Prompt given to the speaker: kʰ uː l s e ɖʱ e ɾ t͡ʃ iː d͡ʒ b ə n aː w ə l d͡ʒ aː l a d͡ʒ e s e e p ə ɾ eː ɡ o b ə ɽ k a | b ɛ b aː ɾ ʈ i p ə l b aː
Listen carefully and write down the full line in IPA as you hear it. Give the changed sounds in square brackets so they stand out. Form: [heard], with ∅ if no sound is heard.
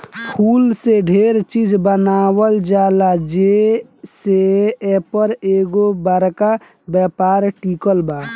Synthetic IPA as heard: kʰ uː l s e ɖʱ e ɾ t͡ʃ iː d͡ʒ b ə n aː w ə l d͡ʒ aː l a d͡ʒ e s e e p ə ɾ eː ɡ o b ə [ɾ] k a | b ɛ [p] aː ɾ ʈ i [k] ə l b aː